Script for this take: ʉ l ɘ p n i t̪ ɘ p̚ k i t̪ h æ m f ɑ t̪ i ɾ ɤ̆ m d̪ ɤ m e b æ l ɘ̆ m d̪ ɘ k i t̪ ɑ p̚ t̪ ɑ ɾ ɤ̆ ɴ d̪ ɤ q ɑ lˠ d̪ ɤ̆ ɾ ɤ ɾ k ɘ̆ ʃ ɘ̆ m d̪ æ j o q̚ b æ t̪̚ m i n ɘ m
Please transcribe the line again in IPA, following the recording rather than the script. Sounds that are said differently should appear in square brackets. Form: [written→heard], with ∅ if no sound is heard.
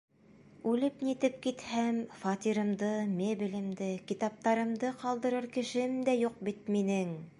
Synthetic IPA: ʉ l ɘ p n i t̪ ɘ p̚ k i t̪ h æ m f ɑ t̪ i ɾ ɤ̆ m d̪ ɤ m e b [æ→i] l ɘ̆ m d̪ ɘ k i t̪ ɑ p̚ t̪ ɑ ɾ ɤ̆ [ɴ→m] d̪ ɤ q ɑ lˠ d̪ ɤ̆ ɾ ɤ ɾ k ɘ̆ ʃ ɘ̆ m d̪ æ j [o→u] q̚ b [æ→i] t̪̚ m i n ɘ [m→ŋ]